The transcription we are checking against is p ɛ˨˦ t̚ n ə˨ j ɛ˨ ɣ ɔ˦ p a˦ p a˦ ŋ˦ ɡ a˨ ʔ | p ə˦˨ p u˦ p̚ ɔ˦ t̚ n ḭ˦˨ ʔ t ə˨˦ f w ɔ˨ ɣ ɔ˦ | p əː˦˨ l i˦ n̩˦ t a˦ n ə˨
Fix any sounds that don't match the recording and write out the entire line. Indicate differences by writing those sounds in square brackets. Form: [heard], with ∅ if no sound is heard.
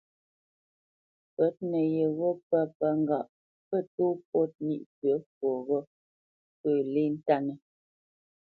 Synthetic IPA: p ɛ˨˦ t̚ n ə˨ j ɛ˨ ɣ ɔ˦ p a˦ p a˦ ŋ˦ ɡ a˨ ʔ | p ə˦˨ [t] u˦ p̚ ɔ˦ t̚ n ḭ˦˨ ʔ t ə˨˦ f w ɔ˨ ɣ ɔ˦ | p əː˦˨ l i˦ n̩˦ t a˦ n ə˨